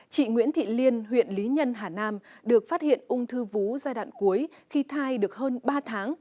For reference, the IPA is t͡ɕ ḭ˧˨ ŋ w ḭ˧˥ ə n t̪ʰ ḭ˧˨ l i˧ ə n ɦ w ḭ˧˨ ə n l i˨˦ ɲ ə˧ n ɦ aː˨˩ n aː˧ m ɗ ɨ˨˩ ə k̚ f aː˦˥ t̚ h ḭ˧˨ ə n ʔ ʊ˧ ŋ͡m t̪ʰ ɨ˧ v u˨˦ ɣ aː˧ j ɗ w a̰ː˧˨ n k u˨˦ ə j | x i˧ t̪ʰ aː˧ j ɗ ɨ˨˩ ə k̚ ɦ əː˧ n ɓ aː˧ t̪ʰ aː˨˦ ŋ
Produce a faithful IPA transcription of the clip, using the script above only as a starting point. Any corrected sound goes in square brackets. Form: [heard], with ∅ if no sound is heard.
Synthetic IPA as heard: t͡ɕ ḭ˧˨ ŋ w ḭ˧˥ ə n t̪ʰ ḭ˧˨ l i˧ ə n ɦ w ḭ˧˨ ə n l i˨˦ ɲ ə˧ n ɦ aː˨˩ n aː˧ m ɗ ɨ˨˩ ə k̚ f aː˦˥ t̚ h ḭ˧˨ ə n ʔ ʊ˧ ŋ͡m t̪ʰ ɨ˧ v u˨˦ [z] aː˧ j ɗ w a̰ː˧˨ n k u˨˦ ə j | x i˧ t̪ʰ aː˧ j ɗ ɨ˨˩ ə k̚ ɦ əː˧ n ɓ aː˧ t̪ʰ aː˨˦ ŋ